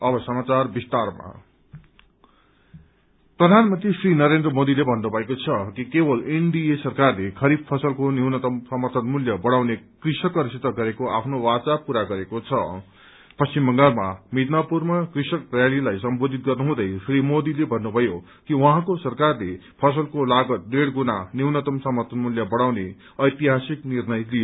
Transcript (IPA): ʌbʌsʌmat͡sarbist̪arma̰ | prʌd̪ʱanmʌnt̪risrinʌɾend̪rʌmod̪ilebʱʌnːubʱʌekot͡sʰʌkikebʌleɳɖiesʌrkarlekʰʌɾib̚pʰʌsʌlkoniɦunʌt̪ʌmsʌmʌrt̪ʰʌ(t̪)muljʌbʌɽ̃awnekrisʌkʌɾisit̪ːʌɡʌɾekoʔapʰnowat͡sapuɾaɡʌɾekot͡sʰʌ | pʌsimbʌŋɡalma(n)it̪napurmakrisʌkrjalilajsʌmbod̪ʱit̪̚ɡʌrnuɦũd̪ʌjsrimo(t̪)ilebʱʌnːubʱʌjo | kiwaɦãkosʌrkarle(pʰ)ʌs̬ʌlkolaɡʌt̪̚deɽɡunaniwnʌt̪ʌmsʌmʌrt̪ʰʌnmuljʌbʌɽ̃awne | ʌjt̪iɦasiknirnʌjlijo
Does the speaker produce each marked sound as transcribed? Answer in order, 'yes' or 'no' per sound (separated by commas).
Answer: yes, no, no, yes